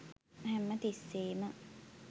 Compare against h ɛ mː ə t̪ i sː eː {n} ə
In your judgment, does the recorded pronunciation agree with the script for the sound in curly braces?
no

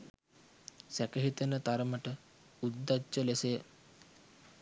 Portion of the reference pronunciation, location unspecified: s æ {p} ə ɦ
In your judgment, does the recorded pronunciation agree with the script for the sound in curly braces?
no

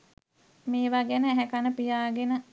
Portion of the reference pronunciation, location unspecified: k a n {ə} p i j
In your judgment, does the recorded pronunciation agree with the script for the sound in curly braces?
yes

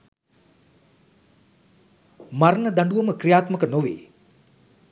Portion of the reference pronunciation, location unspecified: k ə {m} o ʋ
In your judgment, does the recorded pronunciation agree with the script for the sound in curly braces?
no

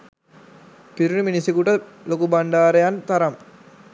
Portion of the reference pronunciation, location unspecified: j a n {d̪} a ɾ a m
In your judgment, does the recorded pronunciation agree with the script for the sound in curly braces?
no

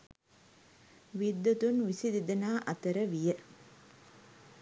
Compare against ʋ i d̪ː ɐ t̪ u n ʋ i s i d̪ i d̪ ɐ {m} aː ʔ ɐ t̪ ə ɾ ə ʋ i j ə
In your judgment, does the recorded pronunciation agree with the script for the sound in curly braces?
no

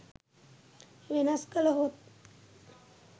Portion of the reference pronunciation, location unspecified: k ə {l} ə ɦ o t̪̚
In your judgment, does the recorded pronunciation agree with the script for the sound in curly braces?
yes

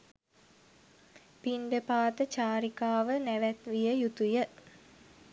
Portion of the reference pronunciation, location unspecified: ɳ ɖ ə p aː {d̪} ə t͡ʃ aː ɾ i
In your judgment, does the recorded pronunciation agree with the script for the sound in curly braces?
no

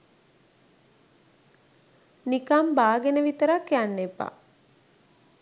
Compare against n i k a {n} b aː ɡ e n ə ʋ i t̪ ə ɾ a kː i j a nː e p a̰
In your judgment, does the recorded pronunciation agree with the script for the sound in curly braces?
no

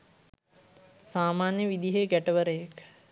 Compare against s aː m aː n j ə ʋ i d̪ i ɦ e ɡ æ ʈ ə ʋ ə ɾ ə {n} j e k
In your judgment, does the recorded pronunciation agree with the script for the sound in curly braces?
no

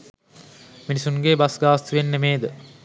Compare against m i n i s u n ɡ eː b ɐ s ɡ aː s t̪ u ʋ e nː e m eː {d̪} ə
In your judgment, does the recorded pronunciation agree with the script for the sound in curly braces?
yes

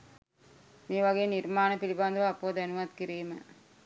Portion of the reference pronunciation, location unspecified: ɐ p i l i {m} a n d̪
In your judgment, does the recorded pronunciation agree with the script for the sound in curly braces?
no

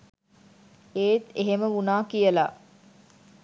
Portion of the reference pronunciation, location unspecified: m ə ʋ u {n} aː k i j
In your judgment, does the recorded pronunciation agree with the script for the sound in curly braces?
yes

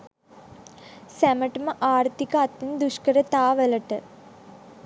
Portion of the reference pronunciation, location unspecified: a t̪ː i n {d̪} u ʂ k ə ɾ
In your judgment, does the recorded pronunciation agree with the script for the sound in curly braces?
yes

